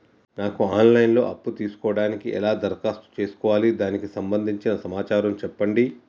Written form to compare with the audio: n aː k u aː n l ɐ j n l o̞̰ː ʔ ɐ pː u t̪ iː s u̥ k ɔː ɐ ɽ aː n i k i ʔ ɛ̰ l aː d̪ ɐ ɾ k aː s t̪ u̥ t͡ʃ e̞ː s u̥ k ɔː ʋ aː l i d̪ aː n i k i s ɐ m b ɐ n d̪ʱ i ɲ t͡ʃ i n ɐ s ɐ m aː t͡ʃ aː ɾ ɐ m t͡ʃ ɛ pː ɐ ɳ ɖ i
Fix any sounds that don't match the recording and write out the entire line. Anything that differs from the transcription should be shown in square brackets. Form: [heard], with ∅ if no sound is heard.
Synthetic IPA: n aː k u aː n l ɐ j n l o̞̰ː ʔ ɐ pː u t̪ iː s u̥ k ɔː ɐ ɽ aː n i k i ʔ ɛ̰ l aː d̪ ɐ ɾ k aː s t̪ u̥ t͡ʃ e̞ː s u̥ k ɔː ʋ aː l i d̪ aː n i k i s ɐ m b ɐ n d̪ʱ i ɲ t͡ʃ i n ɐ s ɐ m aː t͡ʃ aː ɾ ɐ m t͡ʃ ɛ pː ɐ ɳ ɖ i